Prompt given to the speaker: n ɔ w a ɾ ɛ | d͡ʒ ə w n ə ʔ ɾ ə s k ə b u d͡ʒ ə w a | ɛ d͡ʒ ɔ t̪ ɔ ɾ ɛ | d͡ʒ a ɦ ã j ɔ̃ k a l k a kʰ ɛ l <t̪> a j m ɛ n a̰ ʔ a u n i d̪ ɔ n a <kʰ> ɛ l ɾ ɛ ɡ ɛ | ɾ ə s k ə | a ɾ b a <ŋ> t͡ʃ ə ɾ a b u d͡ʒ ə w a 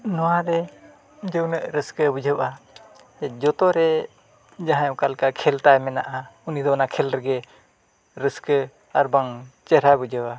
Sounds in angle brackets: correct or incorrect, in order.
correct, correct, correct

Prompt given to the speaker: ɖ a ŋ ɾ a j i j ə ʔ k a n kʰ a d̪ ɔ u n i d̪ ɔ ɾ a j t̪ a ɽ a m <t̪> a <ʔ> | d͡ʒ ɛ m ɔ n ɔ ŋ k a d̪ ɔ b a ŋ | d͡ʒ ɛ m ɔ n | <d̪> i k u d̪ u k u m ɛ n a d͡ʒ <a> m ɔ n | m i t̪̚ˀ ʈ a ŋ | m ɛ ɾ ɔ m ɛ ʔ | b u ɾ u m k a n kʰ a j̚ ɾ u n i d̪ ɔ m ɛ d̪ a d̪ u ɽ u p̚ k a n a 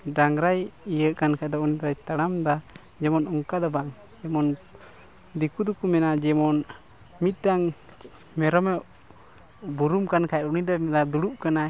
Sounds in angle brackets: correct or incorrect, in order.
incorrect: d̪, incorrect: none, correct, incorrect: ɛ

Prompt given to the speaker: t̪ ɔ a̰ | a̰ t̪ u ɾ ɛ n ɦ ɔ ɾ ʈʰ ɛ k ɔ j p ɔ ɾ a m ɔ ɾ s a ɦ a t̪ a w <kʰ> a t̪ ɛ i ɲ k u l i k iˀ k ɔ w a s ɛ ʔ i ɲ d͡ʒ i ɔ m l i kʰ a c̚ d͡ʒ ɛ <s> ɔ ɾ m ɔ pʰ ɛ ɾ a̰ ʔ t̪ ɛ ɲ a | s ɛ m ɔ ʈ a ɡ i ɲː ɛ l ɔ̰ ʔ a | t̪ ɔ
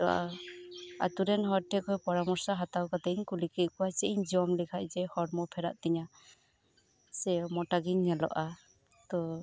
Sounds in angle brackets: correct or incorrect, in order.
incorrect: k, incorrect: h

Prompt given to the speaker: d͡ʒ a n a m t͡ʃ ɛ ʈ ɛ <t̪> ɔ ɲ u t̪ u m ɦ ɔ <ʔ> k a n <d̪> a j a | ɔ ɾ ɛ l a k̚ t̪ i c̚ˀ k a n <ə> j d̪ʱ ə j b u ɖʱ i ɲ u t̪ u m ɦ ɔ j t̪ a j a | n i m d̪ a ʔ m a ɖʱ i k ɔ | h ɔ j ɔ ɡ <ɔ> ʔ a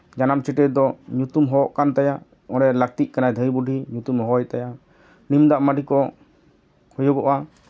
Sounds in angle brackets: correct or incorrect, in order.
incorrect: d̪, correct, incorrect: t̪, incorrect: a, correct

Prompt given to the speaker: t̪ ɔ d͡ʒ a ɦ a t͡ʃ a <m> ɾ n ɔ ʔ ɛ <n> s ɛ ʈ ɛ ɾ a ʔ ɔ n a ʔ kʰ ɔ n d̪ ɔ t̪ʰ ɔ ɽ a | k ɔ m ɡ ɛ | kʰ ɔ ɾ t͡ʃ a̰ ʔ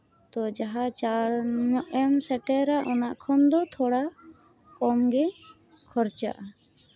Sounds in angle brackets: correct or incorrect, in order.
incorrect: none, incorrect: m

